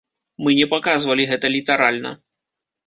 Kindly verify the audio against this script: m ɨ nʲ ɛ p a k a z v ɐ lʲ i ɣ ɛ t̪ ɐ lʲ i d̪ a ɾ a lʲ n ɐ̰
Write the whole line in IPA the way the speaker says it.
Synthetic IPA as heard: m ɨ nʲ ɛ p a k a z v ɐ lʲ i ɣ ɛ t̪ ɐ lʲ i t̪ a ɾ a lʲ n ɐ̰